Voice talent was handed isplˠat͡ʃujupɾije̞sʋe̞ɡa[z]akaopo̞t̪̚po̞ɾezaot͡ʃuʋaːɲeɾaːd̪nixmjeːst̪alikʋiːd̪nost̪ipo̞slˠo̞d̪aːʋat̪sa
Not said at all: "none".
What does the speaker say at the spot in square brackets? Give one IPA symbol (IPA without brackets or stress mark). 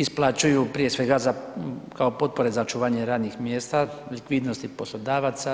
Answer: z